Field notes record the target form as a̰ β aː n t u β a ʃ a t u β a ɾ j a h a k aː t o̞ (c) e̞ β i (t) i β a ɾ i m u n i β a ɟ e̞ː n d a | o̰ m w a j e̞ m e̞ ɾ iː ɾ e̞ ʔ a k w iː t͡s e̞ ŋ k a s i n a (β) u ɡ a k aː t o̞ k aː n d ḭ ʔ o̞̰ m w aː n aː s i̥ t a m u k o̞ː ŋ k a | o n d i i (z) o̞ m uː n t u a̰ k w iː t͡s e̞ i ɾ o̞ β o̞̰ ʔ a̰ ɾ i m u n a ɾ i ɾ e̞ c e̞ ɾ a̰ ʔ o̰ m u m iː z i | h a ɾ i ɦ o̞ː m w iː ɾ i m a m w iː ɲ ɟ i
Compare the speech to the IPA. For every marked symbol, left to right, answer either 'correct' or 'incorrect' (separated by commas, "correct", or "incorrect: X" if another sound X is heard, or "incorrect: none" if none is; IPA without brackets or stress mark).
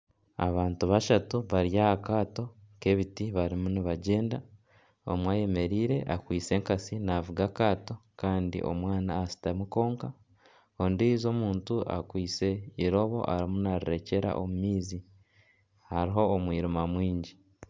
incorrect: k, correct, incorrect: v, correct